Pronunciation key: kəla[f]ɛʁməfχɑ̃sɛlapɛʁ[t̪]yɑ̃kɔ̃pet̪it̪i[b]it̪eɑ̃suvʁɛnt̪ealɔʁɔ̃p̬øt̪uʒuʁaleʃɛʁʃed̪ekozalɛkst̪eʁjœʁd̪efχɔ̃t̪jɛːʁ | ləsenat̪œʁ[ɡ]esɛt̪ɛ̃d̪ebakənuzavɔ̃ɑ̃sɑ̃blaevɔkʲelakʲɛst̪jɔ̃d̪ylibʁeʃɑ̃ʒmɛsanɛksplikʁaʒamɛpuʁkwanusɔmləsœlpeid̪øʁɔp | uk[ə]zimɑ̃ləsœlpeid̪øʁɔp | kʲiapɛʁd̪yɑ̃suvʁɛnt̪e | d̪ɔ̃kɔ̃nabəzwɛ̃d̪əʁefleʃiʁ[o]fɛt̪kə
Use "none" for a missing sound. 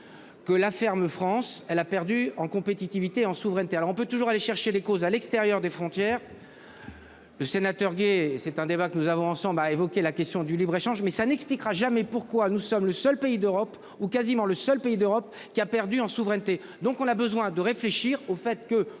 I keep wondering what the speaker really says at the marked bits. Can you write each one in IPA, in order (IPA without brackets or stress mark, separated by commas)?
f, d̪, v, ɡ, a, o